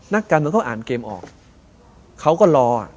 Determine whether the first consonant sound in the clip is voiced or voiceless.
voiced